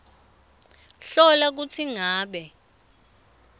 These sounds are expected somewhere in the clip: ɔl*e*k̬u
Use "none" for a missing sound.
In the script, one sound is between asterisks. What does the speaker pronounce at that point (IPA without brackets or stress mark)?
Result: a